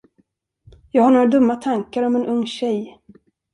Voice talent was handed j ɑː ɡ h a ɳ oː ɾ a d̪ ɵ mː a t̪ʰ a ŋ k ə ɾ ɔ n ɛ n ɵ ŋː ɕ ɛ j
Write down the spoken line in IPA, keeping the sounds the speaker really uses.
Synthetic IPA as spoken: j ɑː ɡ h a ɳ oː ɾ a d̪ ɵ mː a t̪ʰ a ŋ k a ɾ ɔ m ɛ n ɵ ŋː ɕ ɛ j